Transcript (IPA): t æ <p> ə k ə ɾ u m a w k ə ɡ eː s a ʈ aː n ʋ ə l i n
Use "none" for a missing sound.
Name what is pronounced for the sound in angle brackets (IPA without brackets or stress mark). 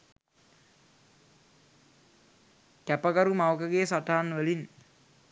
p